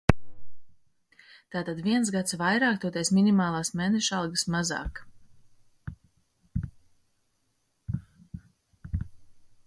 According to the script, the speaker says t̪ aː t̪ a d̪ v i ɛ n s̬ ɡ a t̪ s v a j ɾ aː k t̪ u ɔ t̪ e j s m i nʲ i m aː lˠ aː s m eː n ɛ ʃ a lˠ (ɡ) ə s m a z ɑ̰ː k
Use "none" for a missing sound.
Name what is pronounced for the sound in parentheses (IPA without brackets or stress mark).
ɡ